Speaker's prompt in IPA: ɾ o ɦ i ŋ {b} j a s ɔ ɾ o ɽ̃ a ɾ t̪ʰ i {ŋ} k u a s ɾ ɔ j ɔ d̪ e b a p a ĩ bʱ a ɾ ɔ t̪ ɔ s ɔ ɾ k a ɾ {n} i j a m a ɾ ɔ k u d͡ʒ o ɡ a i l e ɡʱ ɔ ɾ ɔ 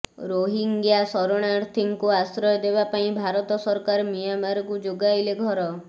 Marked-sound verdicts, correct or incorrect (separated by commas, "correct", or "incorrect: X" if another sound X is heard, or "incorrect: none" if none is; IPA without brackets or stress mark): incorrect: ɡ, correct, incorrect: m